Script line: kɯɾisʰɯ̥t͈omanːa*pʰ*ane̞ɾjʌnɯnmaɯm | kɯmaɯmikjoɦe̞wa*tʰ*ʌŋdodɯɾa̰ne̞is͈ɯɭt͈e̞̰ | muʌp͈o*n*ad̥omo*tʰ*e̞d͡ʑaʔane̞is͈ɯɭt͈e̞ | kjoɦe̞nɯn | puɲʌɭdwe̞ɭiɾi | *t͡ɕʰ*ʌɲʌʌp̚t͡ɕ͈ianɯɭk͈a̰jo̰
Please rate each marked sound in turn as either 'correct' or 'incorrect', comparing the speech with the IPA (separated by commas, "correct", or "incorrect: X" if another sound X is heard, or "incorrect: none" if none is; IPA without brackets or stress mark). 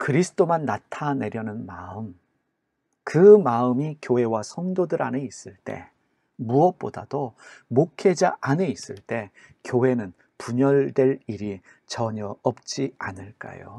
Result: incorrect: tʰ, incorrect: sʰ, incorrect: d, incorrect: kʰ, incorrect: t͡ɕ